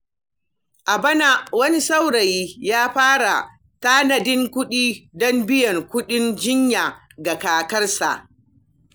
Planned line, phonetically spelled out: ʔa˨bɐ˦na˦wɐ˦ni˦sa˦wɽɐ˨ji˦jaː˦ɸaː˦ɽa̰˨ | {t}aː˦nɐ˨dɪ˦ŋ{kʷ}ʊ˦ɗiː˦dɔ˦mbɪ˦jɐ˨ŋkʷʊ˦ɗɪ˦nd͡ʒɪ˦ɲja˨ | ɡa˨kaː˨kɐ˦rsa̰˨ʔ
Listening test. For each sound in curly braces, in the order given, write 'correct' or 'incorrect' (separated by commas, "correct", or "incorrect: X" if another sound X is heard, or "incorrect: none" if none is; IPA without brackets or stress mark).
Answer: correct, correct